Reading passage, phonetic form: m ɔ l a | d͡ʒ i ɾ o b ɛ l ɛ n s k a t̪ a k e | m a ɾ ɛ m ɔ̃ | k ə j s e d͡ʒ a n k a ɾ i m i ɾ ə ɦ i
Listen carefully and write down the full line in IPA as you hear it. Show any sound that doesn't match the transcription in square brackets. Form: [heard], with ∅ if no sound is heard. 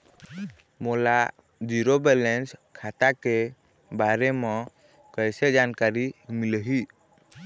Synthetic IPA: m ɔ l a | d͡ʒ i ɾ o b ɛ l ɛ n s [kʰ] a t̪ a k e | [b] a ɾ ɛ m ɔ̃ | k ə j s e d͡ʒ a n k a ɾ i m i [l] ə ɦ i